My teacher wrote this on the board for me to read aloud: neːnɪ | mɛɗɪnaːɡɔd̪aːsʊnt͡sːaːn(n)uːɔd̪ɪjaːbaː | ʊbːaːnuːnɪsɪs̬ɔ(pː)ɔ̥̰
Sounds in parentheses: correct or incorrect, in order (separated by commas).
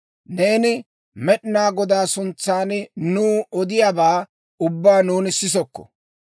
correct, incorrect